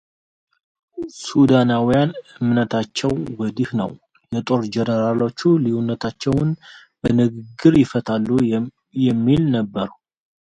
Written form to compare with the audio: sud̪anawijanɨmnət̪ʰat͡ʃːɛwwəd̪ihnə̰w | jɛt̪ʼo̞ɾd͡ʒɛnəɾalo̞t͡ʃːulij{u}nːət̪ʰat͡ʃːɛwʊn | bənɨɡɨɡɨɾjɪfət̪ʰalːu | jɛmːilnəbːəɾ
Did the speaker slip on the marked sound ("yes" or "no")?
no